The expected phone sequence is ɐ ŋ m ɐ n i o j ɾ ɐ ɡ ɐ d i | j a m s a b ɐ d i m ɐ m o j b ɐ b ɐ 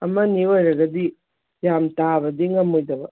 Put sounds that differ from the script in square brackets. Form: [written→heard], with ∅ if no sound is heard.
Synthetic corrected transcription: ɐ [ŋ→∅] m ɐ n i o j ɾ ɐ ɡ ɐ d i | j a m [s→t] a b ɐ d i [m→ŋ] ɐ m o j [b→d] ɐ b ɐ